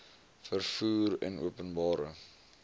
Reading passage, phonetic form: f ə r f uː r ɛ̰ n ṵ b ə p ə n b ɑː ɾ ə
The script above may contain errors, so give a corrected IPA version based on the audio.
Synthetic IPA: f ə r f uː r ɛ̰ n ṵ ə p ə n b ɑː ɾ ə